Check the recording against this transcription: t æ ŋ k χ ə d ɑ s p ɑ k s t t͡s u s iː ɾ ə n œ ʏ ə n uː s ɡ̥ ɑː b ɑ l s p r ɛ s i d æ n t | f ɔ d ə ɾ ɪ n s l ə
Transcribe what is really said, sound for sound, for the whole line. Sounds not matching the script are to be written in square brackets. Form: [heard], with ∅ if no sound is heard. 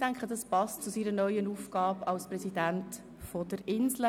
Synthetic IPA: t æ ŋ k χ ə d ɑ s p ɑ [∅] s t t͡s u s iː ɾ ə n œ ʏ ə n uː [f] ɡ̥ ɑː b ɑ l s p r ɛ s i d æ n t | f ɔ d ə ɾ ɪ n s l ə